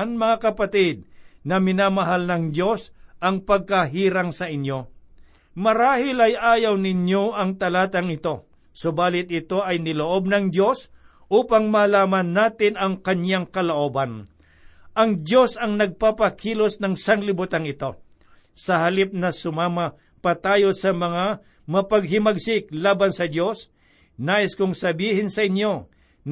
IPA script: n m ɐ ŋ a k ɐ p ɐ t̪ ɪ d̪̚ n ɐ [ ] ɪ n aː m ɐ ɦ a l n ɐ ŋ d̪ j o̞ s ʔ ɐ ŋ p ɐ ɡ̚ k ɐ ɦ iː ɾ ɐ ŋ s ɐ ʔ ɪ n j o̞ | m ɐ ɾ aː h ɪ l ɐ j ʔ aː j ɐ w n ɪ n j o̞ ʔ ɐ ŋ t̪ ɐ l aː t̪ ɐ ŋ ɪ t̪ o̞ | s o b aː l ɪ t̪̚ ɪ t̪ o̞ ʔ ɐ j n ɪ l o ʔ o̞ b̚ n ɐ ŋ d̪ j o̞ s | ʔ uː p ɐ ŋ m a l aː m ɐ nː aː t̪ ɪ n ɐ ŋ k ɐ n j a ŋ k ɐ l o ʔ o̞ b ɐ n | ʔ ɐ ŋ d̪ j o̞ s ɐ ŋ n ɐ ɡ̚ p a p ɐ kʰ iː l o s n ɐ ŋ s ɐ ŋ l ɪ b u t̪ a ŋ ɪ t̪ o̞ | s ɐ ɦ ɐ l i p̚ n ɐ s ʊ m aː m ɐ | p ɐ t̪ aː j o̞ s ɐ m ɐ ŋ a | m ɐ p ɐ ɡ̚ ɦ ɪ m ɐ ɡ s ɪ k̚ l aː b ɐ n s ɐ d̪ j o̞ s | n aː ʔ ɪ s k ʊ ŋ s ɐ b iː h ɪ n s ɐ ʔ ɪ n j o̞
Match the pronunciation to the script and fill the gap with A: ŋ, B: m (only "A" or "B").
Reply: B